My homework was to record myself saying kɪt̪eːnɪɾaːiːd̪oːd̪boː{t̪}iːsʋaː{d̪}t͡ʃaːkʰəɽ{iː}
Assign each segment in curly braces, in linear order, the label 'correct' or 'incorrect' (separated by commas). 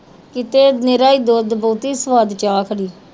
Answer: correct, correct, correct